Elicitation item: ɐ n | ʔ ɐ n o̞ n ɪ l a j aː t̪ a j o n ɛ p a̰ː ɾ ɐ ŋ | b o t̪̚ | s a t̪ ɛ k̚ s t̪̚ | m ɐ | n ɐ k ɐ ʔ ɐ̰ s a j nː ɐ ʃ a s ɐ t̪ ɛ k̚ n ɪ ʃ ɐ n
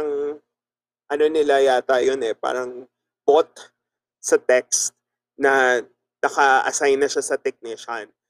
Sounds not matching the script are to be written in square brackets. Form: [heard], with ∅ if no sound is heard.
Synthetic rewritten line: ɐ [ŋ] | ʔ ɐ n o̞ n ɪ l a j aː t̪ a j o n ɛ p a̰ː ɾ ɐ ŋ | b o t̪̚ | s [ɐ] t̪ ɛ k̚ s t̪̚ | [n] ɐ | n ɐ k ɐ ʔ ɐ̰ s a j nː ɐ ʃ a s ɐ t̪ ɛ k̚ n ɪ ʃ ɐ n